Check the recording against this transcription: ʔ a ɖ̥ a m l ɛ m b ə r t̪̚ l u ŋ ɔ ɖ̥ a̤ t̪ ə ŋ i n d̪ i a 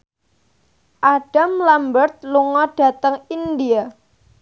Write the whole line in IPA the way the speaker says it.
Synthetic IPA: ʔ a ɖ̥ a m l a m b ə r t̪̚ l u ŋ ɔ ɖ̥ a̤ t̪ ə ŋ i n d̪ i a